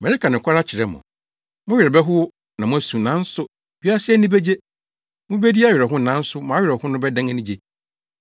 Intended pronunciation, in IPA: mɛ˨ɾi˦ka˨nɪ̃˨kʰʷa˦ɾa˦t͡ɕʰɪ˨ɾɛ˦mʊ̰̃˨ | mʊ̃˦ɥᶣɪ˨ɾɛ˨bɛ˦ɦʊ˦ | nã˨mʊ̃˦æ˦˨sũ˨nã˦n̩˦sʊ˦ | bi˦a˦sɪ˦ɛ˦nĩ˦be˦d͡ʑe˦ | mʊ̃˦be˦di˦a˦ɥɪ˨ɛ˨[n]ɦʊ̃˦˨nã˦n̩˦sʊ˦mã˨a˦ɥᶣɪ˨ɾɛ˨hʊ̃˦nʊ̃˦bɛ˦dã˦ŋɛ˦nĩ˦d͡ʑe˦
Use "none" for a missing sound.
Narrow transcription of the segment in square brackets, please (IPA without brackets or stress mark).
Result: none